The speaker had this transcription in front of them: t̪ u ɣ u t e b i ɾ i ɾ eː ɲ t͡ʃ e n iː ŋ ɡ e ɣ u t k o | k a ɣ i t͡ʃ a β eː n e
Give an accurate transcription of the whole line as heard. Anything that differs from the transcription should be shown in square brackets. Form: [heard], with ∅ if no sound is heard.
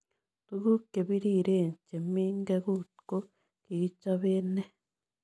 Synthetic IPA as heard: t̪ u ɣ u [k] e [β] i ɾ i ɾ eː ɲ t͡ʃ e [m] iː ŋ ɡ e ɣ u t k o | k [i] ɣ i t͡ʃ a β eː n e

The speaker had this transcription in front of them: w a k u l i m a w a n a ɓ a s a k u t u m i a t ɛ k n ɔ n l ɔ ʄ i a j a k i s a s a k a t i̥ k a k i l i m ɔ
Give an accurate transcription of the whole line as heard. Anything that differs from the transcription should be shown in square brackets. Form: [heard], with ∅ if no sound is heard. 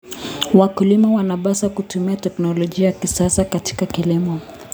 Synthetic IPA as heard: w a k u l i m a w a n a ɓ a s a k u t u m i a t ɛ k n ɔ [∅] l ɔ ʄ i a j a k i s a s a k a t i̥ k a k i l i m ɔ

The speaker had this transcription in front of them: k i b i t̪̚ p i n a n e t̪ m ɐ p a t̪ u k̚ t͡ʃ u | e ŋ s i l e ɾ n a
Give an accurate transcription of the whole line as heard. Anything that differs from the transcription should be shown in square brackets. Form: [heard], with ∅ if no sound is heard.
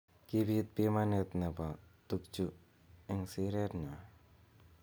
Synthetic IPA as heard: k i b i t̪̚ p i [m] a n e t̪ [n] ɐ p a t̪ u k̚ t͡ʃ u | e ŋ s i [ɾ] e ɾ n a

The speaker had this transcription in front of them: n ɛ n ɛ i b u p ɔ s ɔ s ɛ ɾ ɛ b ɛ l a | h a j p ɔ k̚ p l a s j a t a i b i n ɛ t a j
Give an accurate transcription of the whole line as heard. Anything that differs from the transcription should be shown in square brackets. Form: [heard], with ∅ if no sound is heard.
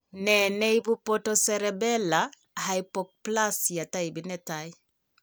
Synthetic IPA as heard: n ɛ n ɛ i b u p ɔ [t] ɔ s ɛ ɾ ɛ b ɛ l a | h a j p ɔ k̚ p l a s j a t a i b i n ɛ t a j

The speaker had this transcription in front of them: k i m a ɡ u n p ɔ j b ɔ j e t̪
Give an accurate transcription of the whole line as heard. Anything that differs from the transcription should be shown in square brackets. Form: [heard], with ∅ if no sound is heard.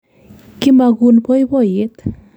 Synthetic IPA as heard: k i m a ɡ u n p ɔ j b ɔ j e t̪

